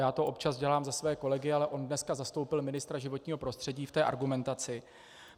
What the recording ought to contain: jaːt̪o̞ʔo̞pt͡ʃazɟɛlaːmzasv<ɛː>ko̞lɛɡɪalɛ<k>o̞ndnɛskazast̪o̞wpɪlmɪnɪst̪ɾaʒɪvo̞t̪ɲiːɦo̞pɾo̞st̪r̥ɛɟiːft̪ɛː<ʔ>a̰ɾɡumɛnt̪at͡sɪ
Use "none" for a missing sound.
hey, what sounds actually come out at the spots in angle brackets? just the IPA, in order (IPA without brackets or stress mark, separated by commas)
ɛː, ʔ, ʔ